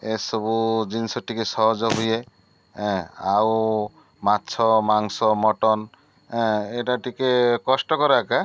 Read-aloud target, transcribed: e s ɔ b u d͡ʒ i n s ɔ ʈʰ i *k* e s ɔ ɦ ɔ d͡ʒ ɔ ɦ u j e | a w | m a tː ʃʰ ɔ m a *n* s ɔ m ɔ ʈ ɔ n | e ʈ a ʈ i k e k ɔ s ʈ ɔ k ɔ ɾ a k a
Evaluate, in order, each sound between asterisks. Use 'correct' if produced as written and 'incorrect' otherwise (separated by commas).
correct, incorrect